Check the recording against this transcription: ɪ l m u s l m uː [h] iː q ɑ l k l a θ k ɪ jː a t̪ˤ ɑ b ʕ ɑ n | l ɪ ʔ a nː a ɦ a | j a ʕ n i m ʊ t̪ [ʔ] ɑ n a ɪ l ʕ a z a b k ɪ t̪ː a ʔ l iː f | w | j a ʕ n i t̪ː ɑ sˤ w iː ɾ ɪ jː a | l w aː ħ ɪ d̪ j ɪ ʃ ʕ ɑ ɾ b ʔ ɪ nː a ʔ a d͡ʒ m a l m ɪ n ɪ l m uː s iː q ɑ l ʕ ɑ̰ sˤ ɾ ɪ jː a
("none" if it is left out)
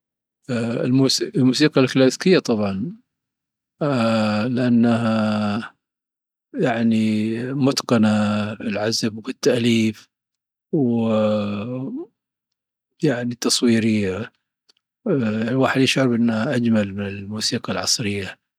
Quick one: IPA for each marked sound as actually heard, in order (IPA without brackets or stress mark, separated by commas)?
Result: s, q